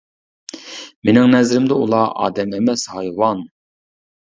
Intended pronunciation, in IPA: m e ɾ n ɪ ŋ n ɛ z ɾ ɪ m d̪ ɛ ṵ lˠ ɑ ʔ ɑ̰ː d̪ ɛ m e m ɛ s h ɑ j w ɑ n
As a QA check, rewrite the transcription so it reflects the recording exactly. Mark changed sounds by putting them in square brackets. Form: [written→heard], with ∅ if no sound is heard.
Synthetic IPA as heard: m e [ɾ→∅] n ɪ ŋ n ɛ z ɾ ɪ m d̪ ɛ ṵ lˠ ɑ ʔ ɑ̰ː d̪ ɛ m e m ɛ s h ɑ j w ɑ n